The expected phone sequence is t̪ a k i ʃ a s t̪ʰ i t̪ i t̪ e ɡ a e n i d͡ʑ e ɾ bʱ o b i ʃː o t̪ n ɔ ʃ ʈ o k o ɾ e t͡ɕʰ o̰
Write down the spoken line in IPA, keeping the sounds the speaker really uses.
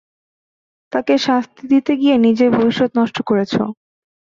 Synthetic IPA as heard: t̪ a k e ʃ a s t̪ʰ i d̪ i t̪ e ɡ i e n i d͡ʑ e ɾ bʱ o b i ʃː o t̪ n ɔ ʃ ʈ o k o ɾ e t͡ɕʰ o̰